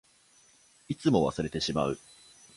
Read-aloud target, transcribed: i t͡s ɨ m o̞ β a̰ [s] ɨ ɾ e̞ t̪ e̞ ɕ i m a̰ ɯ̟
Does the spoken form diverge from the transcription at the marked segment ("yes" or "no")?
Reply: no